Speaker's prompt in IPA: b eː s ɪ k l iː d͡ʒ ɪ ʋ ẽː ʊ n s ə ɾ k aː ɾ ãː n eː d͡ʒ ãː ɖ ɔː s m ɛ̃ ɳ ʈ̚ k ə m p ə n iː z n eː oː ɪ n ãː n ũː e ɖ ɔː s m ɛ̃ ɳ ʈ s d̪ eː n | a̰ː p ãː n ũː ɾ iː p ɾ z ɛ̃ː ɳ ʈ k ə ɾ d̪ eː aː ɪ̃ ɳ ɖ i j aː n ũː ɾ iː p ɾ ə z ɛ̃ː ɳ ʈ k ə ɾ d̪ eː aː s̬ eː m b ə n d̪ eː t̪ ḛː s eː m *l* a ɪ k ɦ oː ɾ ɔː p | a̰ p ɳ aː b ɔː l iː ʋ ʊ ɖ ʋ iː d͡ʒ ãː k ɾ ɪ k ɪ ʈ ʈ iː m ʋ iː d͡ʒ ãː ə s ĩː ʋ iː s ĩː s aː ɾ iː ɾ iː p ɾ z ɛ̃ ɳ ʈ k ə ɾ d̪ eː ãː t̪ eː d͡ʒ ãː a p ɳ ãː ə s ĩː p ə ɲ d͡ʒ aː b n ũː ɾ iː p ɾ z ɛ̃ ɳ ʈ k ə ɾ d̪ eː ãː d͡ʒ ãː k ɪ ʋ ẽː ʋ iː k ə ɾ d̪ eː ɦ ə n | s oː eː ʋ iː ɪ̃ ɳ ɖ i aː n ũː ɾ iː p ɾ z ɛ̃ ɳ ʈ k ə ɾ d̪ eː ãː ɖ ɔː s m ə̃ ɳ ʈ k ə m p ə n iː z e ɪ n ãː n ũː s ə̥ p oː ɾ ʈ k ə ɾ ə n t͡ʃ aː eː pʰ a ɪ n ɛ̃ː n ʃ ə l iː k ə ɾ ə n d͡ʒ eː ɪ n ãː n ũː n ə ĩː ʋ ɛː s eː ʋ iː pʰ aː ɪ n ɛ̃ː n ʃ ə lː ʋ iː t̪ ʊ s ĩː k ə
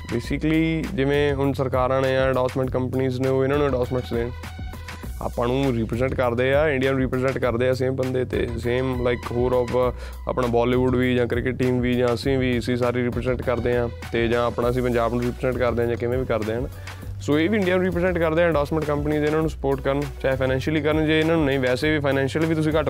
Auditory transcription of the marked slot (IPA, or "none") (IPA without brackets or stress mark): l